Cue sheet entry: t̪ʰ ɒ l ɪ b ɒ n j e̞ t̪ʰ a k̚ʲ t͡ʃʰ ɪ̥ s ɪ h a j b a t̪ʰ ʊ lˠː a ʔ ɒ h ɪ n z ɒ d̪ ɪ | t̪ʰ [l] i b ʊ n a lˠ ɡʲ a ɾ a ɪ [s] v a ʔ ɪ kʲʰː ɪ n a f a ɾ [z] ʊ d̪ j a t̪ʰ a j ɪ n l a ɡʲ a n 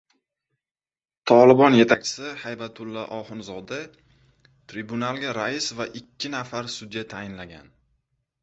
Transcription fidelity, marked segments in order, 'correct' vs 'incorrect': incorrect: ɾ, correct, incorrect: s

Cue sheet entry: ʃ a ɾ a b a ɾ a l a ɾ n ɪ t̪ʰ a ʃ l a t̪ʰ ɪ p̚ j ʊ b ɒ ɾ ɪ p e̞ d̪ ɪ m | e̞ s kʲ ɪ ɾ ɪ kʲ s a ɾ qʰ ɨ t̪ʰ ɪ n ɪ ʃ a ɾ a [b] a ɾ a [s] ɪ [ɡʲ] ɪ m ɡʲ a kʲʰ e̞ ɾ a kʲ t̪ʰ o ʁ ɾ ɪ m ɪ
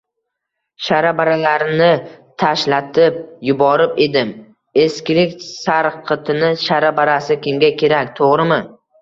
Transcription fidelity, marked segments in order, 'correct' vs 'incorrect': correct, correct, incorrect: kʲ

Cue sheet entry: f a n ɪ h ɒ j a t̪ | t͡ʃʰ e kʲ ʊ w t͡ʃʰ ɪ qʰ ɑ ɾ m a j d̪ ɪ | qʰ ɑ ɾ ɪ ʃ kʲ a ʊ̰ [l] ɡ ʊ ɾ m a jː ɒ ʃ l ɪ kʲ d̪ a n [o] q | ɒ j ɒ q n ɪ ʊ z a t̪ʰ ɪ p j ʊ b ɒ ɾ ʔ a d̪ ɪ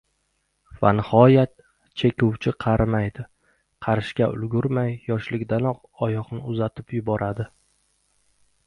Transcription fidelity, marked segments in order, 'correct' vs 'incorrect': correct, incorrect: ɒ

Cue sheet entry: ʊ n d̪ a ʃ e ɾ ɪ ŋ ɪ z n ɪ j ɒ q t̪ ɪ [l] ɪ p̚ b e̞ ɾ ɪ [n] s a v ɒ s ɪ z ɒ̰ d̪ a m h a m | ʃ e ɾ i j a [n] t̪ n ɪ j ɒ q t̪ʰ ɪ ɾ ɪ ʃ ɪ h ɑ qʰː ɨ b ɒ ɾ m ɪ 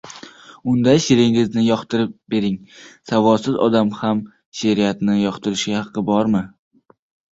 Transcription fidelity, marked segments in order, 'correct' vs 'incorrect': incorrect: ɾ, incorrect: ŋ, incorrect: none

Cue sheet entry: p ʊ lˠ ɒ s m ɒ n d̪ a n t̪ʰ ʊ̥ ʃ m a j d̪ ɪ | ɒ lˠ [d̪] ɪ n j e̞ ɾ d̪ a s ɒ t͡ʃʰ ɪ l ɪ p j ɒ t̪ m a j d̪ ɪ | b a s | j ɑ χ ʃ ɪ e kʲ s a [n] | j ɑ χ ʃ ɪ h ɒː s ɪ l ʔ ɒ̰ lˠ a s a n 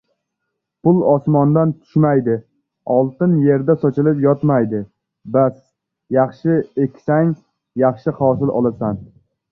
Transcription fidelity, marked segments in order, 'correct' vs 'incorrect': incorrect: t̪, incorrect: ŋ

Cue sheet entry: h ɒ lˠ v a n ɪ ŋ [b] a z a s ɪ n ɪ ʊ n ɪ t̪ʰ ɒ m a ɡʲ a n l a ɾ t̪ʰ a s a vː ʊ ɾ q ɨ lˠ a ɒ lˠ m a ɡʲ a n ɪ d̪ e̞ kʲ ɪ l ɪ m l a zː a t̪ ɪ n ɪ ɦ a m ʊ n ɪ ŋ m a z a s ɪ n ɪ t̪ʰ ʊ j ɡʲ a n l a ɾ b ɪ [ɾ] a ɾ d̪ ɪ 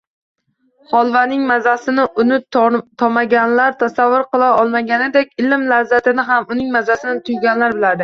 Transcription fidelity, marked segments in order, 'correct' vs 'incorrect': incorrect: m, incorrect: l

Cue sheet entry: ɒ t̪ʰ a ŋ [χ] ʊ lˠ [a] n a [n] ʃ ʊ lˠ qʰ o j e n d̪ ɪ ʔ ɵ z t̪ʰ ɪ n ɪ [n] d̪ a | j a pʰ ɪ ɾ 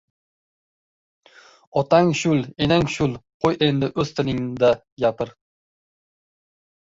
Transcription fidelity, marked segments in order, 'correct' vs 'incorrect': incorrect: ʃ, incorrect: e, incorrect: ŋ, incorrect: ŋ

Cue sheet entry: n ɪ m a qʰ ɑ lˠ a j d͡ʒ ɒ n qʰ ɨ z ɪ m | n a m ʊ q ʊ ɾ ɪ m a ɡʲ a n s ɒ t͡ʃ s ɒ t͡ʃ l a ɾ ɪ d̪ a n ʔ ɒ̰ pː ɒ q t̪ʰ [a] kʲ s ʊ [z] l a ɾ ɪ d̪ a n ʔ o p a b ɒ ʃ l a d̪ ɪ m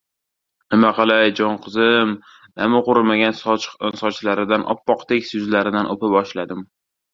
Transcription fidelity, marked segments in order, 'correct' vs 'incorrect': incorrect: e, correct

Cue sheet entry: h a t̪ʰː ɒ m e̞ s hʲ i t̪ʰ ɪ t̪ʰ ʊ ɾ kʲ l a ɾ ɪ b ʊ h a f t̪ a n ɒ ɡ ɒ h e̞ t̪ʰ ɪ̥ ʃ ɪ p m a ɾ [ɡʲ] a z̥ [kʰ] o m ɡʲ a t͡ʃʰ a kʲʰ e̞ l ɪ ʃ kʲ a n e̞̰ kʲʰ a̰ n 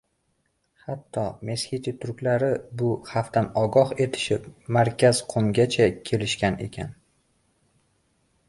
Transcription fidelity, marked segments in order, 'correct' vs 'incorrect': incorrect: kʲ, incorrect: qʰ

